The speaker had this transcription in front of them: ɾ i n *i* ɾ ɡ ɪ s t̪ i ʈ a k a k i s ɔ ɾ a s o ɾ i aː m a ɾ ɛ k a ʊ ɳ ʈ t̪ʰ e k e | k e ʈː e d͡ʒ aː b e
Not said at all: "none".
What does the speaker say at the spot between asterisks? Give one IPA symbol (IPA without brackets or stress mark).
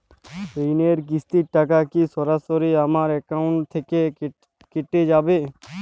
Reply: e